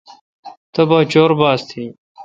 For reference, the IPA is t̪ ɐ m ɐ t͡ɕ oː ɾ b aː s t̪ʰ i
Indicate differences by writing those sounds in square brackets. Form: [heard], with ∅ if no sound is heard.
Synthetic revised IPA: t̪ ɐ [b] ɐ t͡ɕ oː ɾ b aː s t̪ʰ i